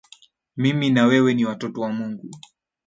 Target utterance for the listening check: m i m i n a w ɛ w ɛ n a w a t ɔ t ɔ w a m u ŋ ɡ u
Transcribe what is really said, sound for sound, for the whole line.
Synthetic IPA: m i m i n a w ɛ w ɛ n i w a t ɔ t ɔ w a m u ŋ ɡ u